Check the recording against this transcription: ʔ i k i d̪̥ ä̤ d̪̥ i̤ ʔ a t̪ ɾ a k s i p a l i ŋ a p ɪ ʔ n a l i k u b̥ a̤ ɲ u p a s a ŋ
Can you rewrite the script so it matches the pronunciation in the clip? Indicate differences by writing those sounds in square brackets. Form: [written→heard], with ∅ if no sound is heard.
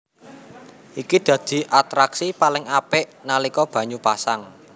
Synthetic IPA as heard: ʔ i k i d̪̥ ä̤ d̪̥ i̤ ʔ a t̪ ɾ a k s i p a l [i→ɪ] ŋ a p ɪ ʔ n a l i k [u→ɔ] b̥ a̤ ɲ u p a s a ŋ